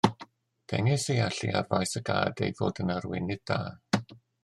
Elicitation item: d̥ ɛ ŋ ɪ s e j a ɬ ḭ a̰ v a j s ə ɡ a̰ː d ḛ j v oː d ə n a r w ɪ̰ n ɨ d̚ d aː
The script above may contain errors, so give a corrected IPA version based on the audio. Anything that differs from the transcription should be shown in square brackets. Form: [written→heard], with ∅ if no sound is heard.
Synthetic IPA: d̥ ɛ ŋ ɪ s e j a ɬ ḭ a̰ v a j s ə ɡ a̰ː d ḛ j v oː d ə n a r w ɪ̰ n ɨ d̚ d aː